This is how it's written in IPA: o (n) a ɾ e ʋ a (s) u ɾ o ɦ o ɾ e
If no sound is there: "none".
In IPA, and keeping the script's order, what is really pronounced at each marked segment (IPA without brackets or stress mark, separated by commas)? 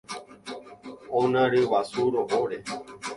n, s